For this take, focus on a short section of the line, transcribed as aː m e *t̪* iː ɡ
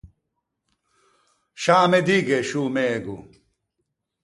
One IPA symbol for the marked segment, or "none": d̪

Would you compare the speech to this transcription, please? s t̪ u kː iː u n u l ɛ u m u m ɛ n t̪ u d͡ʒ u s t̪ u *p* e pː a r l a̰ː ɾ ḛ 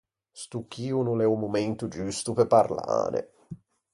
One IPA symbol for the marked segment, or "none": p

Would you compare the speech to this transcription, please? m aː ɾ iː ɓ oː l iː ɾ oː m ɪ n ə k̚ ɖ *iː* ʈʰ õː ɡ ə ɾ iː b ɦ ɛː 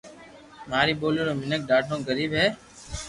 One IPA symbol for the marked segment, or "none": aː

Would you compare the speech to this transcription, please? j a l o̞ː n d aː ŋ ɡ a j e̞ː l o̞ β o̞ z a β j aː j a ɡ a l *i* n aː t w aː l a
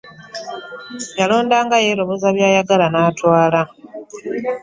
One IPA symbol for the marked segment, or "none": a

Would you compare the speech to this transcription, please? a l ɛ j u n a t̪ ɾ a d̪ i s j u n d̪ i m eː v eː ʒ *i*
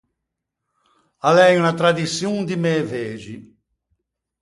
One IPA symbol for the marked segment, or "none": i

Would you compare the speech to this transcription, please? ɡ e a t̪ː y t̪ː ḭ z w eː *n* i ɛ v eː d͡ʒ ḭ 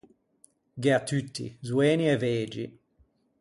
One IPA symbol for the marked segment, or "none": n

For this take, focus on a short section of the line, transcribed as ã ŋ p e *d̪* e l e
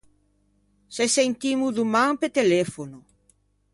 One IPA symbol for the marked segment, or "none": t̪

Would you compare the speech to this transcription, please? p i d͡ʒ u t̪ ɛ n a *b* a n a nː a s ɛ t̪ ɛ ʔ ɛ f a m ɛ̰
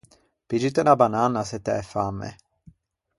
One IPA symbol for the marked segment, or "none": b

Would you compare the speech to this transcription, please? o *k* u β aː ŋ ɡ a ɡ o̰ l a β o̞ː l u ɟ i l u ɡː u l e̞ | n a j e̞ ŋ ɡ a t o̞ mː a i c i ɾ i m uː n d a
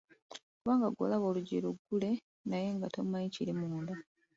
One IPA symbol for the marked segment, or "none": k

